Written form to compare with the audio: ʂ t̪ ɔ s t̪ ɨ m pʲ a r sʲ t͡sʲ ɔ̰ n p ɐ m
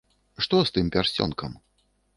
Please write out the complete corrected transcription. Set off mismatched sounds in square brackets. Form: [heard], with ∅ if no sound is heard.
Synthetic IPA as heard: ʂ t̪ ɔ s t̪ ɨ m pʲ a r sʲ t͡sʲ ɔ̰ n [k] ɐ m